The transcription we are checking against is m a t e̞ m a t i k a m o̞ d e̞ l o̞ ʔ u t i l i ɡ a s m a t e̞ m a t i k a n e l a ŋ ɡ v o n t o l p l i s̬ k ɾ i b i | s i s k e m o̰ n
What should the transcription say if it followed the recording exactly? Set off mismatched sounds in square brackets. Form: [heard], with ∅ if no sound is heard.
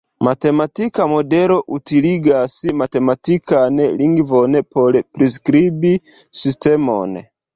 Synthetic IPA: m a t e̞ m a t i k a m o̞ d e̞ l o̞ ʔ u t i l i ɡ a s m a t e̞ m a t i k a n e l [i] ŋ ɡ v o n [p] o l p [ɾ] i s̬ k ɾ i b i | s i s [t] e m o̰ n